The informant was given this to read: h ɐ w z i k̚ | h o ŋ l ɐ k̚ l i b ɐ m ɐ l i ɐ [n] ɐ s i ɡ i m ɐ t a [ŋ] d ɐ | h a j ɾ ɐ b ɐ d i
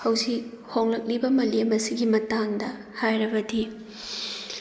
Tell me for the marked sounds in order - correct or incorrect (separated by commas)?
incorrect, correct